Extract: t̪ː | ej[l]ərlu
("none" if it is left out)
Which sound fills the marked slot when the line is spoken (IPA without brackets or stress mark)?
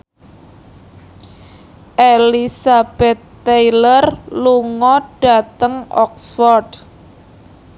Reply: l